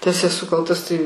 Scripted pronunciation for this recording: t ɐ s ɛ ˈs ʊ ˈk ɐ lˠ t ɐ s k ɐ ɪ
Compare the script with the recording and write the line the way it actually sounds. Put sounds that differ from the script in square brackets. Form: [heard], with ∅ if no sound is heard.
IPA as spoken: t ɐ s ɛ ˈs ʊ ˈk ɐ lˠ t ɐ s [t] ɐ ɪ